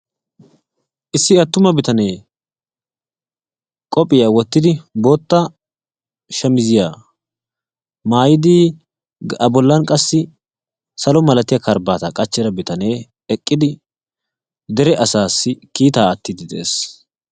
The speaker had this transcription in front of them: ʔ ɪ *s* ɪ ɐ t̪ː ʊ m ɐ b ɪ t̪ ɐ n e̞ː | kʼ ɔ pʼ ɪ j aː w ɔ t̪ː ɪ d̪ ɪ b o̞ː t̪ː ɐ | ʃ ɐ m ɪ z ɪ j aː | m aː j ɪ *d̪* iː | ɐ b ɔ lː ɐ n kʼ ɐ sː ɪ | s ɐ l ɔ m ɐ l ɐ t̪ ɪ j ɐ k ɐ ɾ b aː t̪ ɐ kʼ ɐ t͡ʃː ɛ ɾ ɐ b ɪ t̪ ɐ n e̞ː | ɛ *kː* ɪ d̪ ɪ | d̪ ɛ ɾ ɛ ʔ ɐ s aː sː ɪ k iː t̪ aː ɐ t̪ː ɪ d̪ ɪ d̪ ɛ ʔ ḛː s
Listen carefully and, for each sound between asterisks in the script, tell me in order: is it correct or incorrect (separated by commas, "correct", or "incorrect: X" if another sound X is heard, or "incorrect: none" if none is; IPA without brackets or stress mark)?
incorrect: sː, correct, incorrect: kʼː